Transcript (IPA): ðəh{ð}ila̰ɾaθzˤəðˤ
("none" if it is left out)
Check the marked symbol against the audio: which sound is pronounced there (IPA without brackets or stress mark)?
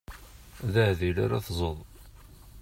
ð